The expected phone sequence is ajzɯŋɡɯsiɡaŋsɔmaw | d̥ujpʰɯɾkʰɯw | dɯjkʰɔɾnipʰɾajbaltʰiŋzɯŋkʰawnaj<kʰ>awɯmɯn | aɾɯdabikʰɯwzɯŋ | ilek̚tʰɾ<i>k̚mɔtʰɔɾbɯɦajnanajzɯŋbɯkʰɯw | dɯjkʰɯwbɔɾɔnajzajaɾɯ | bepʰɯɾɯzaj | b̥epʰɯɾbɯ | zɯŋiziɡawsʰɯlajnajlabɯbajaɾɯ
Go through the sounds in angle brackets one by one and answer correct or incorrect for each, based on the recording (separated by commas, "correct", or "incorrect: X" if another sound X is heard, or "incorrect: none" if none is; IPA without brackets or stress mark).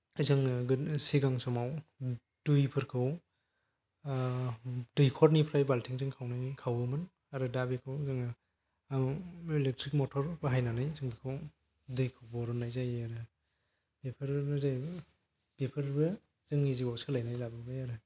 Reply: correct, correct